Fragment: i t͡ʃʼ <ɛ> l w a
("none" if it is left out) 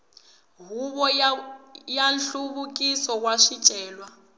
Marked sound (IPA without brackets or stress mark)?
ɛː